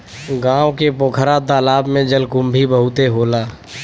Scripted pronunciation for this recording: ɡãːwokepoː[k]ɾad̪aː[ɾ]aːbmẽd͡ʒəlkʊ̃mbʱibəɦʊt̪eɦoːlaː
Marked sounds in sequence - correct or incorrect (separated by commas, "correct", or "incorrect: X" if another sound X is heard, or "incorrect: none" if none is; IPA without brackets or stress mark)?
incorrect: kʰ, incorrect: l